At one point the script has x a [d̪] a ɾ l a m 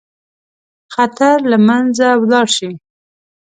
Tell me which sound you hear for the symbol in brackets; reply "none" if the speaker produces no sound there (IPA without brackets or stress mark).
t̪